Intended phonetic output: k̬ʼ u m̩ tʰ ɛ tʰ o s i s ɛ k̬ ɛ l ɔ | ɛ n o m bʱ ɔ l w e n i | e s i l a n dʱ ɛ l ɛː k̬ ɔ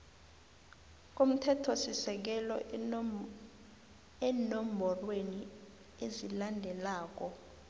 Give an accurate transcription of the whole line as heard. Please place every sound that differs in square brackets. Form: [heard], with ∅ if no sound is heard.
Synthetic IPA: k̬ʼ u m̩ tʰ ɛ tʰ [ɔ] s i s ɛ k̬ ɛ l ɔ | ɛ n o m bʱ ɔ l w e n i | e [z] i l a n dʱ ɛ l [aː] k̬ ɔ